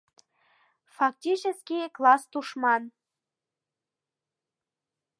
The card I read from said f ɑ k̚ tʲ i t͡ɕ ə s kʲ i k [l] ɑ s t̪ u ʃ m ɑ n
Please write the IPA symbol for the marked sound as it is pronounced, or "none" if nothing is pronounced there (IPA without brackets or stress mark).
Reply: l